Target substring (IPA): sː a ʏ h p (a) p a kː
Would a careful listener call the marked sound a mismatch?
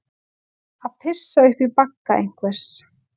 yes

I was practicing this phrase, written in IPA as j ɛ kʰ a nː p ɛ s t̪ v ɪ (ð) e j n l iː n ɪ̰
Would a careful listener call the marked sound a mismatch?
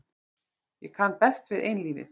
no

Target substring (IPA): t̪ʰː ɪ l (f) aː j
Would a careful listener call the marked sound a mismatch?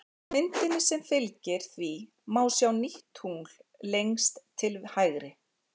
yes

